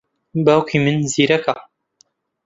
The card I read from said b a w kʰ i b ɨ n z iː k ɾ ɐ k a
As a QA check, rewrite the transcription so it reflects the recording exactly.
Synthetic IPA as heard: b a w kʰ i m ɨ n z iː ɾ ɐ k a

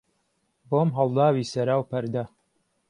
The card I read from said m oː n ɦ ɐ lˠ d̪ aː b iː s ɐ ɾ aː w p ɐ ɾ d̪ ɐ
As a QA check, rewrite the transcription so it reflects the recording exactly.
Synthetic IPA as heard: b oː m ɦ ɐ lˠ d̪ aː w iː s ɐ ɾ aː w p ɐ ɾ d̪ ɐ

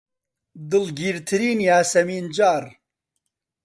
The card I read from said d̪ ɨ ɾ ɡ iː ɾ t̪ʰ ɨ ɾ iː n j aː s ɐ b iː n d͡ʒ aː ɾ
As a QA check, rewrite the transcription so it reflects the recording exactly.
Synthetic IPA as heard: d̪ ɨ l ɡ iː ɾ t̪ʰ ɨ ɾ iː n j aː s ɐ m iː n d͡ʒ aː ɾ

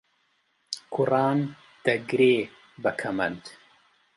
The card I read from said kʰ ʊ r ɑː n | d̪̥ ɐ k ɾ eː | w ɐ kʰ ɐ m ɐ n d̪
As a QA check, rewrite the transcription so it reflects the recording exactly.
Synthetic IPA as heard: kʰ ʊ r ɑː n | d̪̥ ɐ ɡ ɾ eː | b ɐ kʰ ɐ m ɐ n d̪

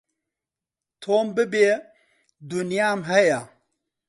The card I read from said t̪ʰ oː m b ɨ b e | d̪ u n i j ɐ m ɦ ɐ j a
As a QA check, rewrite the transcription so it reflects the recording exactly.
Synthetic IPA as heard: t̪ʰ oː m b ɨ b e | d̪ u n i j a m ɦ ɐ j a

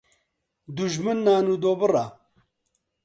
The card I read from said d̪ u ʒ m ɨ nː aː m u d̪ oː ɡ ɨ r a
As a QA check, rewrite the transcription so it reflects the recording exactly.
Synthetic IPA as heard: d̪ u ʒ m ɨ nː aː n u d̪ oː b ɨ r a

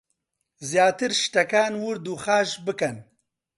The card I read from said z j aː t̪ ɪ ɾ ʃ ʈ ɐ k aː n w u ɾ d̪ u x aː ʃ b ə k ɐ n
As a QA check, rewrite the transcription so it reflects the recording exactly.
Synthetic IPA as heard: z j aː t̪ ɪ ɾ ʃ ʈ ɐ k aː n w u ɾ d̪ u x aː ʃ b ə k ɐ n

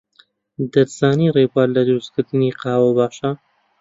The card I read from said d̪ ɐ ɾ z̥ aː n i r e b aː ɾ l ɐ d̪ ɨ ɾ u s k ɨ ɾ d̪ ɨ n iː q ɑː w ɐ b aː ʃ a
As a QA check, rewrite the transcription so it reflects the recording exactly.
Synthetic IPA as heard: d̪ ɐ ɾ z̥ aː n i r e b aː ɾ l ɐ d̪ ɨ ɾ u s k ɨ ɾ d̪ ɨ n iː q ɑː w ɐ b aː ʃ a

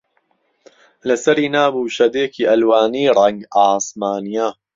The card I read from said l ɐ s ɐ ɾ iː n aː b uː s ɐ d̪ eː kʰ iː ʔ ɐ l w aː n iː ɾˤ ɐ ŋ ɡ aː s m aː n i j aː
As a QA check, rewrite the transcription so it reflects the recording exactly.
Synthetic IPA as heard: l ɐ s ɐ ɾ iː n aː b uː ʃ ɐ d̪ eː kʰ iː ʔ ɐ l w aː n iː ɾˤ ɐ ŋ ɡ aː s m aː n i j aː

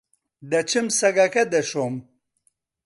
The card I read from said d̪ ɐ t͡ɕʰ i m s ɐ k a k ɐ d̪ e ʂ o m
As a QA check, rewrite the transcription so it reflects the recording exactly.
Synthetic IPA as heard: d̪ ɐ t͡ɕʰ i m s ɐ ɡ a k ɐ d̪ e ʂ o m

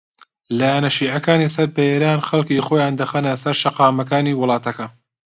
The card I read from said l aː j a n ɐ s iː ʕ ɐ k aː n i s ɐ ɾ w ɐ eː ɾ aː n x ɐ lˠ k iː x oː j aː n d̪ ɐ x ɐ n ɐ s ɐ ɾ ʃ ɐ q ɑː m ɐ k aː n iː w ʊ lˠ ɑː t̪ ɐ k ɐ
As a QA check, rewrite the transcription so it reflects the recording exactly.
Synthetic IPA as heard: l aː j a n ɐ ʃ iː ʕ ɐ k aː n i s ɐ ɾ b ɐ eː ɾ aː n x ɐ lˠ k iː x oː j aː n d̪ ɐ x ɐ n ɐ s ɐ ɾ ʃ ɐ q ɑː m ɐ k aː n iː w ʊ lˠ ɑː t̪ ɐ k ɐ

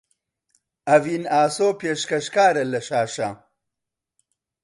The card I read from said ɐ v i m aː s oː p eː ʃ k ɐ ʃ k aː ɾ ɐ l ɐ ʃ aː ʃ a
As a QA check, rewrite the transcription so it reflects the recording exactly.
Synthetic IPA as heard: ɐ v i n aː s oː p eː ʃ k ɐ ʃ k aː ɾ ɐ l ɐ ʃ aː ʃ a

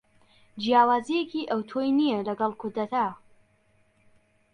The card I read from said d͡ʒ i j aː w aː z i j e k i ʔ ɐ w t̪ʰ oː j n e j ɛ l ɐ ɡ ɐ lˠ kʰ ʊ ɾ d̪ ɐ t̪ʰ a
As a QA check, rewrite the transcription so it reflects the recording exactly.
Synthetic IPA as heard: d͡ʒ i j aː w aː z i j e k i ʔ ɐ w t̪ʰ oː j n i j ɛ l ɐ ɡ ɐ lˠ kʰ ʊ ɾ d̪ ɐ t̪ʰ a

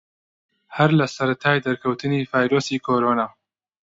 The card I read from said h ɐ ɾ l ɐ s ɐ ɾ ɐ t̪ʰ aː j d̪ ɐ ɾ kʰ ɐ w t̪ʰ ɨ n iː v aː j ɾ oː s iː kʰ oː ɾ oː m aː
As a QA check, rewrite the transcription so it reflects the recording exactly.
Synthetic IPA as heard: h ɐ ɾ l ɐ s ɐ ɾ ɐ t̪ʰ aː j d̪ ɐ ɾ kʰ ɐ w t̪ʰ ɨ n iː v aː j ɾ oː s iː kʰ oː ɾ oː n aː

